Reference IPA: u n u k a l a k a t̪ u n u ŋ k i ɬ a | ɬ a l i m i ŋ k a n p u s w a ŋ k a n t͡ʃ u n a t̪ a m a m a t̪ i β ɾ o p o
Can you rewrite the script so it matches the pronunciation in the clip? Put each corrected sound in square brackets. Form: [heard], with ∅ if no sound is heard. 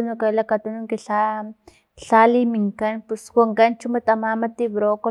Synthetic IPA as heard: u n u k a l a k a t̪ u n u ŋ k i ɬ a | ɬ a l i m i ŋ k a n p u s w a ŋ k a n t͡ʃ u [m] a t̪ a m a m a t̪ i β ɾ o [k] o